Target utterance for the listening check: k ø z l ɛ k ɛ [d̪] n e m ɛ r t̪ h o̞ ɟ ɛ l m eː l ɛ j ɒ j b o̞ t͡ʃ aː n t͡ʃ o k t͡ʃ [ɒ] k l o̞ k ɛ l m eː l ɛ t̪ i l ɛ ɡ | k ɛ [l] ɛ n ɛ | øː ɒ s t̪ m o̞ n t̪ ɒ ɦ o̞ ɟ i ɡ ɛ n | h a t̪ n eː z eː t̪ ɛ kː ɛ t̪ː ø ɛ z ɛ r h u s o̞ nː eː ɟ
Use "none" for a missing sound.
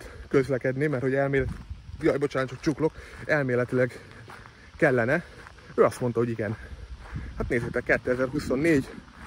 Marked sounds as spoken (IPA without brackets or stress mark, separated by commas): d̪, u, lː